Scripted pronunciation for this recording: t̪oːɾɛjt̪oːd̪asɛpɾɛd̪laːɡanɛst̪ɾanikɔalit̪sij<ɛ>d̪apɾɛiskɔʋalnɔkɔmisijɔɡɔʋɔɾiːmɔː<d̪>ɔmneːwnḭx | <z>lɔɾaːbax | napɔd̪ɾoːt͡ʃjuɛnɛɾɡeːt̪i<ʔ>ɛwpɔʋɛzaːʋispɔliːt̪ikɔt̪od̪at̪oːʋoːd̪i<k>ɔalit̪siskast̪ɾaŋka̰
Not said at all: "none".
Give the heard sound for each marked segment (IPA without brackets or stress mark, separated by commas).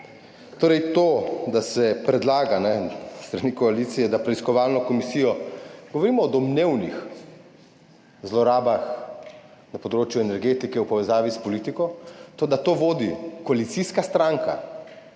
ɛ, d̪, z, k, k